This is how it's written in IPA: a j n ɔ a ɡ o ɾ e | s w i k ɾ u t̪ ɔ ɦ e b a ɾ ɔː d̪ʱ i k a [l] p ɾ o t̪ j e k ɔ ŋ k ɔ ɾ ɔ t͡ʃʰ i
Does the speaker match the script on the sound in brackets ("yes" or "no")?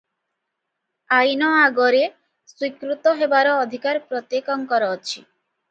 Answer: no